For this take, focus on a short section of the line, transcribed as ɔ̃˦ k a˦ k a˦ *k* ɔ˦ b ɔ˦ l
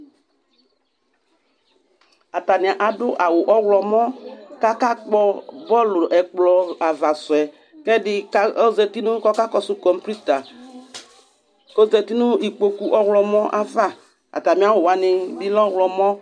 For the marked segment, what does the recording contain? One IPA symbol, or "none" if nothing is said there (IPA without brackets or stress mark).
k͡p